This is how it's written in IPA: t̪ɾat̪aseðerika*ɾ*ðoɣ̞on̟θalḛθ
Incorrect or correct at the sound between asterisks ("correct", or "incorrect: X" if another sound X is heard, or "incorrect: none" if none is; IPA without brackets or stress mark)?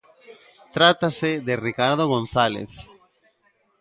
correct